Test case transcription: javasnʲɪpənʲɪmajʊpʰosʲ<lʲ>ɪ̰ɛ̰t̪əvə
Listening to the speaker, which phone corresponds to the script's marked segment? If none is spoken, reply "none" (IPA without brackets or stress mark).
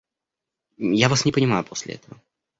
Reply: lʲ